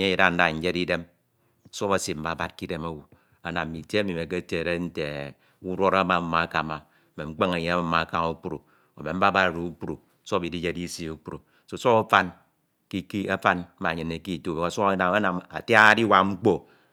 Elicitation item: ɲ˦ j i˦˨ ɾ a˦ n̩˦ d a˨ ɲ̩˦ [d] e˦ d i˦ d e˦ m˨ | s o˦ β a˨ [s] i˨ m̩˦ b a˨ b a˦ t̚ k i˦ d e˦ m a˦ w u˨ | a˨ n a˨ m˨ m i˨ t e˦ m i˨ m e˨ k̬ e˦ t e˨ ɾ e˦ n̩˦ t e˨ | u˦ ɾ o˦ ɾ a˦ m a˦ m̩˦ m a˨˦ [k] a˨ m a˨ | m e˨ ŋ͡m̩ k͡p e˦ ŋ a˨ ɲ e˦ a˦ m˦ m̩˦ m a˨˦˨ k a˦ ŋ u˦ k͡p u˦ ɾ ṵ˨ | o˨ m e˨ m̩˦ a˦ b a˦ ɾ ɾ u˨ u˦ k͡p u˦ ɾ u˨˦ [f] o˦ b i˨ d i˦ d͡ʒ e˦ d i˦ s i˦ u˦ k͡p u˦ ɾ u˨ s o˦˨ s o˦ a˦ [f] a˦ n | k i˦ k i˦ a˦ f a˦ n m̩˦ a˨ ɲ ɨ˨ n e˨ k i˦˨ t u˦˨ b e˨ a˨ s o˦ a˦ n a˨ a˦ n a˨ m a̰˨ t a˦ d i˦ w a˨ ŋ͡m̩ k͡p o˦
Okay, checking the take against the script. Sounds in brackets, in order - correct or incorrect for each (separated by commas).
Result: incorrect, correct, correct, incorrect, correct